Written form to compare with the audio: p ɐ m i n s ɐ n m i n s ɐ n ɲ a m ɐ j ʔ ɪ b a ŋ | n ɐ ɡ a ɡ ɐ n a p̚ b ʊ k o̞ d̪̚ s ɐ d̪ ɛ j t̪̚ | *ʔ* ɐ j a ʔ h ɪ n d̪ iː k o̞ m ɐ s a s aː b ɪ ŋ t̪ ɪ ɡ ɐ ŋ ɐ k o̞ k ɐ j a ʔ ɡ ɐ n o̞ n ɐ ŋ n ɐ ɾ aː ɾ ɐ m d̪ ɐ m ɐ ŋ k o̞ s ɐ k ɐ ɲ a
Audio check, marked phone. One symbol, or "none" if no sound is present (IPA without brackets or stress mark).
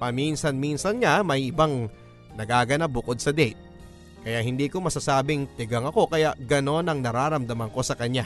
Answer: k